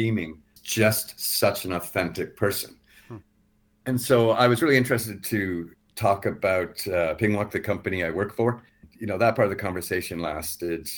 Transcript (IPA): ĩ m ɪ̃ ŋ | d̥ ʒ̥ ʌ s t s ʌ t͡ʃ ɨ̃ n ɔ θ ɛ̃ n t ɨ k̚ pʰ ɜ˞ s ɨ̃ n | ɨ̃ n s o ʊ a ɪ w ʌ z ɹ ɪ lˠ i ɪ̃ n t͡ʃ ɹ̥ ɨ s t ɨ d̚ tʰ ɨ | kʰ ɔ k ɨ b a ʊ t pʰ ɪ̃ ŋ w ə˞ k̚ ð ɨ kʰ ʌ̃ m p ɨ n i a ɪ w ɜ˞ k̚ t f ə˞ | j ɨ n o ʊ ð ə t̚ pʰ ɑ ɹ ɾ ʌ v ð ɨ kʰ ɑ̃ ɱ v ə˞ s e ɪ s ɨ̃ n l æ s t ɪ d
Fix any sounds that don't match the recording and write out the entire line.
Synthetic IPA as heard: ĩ m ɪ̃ ŋ | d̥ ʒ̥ ʌ s t s ʌ t͡ʃ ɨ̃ n ɔ θ ɛ̃ n t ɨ k̚ pʰ ɜ˞ s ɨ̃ n | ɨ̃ n s o ʊ a ɪ w ʌ z ɹ ɪ lˠ i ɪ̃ n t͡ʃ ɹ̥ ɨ s t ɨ d̚ tʰ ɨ | tʰ ɔ k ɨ b a ʊ t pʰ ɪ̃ ŋ w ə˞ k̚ ð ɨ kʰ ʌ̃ m p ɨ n i a ɪ w ɜ˞ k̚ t f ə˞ | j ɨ n o ʊ ð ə t̚ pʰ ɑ ɹ ɾ ʌ v ð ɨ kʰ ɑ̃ ɱ v ə˞ s e ɪ ʃ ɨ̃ n l æ s t ɪ d